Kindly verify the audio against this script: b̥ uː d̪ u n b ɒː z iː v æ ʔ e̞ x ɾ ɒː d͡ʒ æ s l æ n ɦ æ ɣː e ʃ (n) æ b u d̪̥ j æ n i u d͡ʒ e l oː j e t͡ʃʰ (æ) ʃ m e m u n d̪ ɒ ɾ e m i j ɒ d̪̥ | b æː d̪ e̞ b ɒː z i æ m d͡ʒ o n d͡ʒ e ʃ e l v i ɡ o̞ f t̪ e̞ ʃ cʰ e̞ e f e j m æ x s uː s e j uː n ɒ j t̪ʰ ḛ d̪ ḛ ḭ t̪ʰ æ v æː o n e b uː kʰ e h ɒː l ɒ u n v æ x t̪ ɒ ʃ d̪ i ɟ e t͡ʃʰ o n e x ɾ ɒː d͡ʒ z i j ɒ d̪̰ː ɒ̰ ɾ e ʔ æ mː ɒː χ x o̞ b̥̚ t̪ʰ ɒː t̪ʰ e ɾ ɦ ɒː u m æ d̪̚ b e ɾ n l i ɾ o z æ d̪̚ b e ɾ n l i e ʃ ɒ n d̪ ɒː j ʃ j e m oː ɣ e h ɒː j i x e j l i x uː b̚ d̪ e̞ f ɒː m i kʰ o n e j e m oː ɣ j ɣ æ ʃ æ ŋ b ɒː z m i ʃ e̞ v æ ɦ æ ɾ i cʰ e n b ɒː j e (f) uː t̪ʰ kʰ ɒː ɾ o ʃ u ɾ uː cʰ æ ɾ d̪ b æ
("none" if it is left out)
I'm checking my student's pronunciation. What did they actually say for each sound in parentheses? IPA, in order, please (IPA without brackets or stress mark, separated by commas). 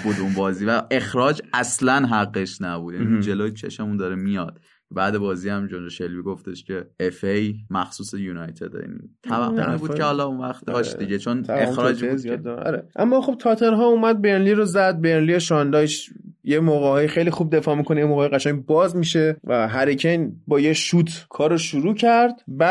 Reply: n, e, ʃ